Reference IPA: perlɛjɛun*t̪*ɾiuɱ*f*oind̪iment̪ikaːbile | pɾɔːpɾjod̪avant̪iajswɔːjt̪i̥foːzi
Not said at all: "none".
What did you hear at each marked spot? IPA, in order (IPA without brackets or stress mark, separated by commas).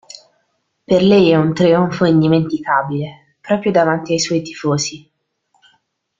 t̪, f